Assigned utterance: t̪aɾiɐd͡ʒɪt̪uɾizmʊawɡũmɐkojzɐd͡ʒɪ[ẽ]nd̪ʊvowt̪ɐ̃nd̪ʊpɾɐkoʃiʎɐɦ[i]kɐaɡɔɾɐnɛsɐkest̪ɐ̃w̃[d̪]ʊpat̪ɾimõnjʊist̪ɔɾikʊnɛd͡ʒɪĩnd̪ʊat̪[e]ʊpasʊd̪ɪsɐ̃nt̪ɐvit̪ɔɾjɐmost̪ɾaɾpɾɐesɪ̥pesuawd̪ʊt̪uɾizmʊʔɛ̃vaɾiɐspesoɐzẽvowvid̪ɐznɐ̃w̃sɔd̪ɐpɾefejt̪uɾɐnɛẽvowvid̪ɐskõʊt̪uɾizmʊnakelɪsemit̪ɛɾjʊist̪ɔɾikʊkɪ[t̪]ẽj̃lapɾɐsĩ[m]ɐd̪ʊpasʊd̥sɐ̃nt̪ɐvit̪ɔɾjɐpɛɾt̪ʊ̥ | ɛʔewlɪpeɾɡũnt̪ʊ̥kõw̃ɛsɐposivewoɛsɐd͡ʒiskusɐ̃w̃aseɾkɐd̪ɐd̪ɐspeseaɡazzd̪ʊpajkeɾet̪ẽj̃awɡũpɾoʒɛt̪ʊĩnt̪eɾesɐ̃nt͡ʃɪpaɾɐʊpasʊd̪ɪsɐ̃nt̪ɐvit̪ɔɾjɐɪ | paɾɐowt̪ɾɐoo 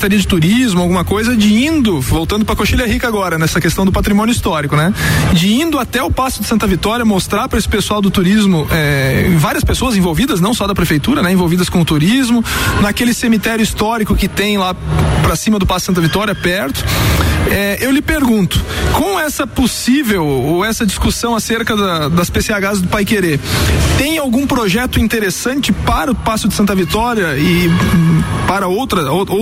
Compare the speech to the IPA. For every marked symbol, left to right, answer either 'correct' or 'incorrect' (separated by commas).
incorrect, correct, correct, incorrect, correct, correct